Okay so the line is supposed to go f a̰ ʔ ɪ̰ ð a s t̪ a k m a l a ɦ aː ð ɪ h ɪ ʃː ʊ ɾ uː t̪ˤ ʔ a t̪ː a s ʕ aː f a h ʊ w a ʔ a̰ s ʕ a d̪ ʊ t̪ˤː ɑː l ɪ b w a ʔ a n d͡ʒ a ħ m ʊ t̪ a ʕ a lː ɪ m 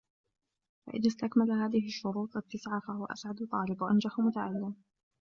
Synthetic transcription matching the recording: f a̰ ʔ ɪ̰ ð a s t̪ a k m a l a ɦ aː ð ɪ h ɪ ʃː ʊ ɾ uː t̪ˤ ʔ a t̪ː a s ʕ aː f a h ʊ w a ʔ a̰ s ʕ a d̪ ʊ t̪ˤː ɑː l ɪ b w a ʔ a n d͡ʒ a ħ m ʊ t̪ a ʕ a lː ɪ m